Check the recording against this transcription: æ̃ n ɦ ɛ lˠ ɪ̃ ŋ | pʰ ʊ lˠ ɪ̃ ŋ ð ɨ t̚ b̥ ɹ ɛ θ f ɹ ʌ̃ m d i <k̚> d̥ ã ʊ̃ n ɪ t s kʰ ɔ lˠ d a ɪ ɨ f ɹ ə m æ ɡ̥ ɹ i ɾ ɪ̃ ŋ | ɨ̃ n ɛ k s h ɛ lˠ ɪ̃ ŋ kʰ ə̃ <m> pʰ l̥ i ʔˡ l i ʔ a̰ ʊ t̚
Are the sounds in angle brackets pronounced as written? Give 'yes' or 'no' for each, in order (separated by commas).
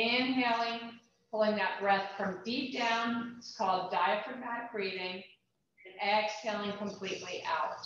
no, yes